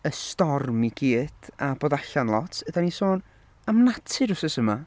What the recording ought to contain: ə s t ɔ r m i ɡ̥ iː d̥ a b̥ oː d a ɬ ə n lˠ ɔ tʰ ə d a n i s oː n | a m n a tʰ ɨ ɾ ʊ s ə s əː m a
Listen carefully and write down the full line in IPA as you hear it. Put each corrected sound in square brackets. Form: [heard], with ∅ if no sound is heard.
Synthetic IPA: ə s t ɔ r m i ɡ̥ iː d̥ a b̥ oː d a ɬ [a] n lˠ ɔ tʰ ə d a n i s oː n | a m n a tʰ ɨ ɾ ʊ s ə s [ə] m a